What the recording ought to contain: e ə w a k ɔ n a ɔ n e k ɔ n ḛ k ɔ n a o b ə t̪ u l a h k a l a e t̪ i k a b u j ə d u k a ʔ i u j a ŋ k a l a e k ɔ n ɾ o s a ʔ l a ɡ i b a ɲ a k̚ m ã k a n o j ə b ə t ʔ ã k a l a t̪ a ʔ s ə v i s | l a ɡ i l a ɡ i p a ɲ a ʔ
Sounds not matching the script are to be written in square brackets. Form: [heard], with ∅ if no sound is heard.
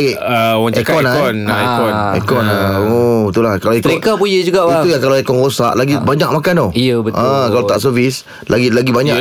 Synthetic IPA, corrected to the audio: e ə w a k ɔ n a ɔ n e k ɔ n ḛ k ɔ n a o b ə t̪ u l a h k a l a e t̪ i k a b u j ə [d͡ʒ] u [ɡ] a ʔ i u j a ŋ k a l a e k ɔ n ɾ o s a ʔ l a ɡ i b a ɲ a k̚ m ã k a n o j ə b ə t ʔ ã k a l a t̪ a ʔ s ə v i s | l a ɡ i l a ɡ i [b] a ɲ a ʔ